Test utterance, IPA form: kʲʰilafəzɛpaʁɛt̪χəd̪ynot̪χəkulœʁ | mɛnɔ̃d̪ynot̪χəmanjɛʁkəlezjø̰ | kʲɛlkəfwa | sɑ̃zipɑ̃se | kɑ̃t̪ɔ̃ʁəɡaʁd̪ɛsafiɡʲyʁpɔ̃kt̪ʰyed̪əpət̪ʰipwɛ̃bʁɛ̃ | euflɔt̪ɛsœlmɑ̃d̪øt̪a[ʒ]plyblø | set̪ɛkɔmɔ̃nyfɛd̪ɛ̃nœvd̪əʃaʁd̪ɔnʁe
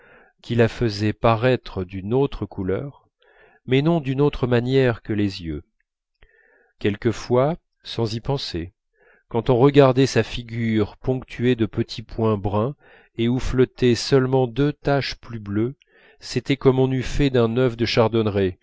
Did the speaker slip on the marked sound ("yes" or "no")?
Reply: yes